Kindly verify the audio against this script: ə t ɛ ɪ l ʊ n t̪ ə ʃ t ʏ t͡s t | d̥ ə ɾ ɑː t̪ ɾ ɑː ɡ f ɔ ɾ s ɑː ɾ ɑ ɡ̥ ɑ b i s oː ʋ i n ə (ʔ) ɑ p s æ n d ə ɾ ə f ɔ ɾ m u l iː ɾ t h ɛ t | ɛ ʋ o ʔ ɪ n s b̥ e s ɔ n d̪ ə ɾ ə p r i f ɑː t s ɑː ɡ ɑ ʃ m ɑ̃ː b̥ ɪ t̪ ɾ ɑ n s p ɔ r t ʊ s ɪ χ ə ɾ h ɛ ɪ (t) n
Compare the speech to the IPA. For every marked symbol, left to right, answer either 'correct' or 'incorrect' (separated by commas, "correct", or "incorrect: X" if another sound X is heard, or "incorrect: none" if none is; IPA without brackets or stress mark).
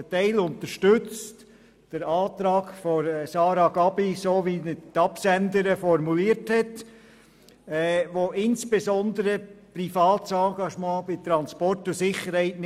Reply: incorrect: t, correct